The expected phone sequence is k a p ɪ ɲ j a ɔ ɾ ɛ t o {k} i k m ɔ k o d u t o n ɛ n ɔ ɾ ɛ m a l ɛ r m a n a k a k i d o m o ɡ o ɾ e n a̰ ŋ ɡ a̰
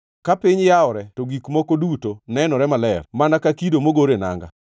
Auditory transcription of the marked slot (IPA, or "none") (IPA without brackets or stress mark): ɡ